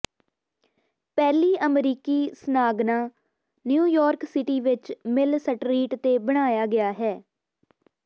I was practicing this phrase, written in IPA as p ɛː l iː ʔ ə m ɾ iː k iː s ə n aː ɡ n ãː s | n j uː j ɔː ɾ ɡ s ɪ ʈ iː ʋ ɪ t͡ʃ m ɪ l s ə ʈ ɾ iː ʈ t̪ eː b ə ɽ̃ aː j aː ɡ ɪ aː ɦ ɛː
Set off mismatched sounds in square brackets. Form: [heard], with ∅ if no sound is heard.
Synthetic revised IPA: p ɛː l iː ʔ ə m ɾ iː k iː s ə n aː ɡ n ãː [∅] | n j uː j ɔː ɾ [k] s ɪ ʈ iː ʋ ɪ t͡ʃ m ɪ l s ə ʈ ɾ iː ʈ t̪ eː b ə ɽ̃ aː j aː ɡ ɪ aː ɦ ɛː